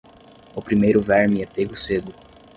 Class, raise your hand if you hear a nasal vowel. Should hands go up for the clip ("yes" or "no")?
no